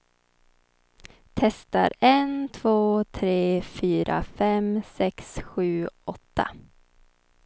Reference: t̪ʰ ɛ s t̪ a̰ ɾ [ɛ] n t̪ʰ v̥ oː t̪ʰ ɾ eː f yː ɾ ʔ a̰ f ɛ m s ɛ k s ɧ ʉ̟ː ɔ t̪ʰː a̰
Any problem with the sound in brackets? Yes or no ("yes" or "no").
no